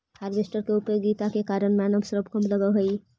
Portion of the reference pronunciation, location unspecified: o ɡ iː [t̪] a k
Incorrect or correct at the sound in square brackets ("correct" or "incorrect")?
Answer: correct